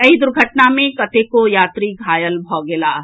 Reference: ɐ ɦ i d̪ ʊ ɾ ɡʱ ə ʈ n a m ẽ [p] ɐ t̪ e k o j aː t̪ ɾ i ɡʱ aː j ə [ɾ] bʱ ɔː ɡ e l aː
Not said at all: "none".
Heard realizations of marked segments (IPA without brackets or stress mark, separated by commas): k, l